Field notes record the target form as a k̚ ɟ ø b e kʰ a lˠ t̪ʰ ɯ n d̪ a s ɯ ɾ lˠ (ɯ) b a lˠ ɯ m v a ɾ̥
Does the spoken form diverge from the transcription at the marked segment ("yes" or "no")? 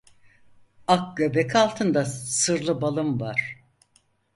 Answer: no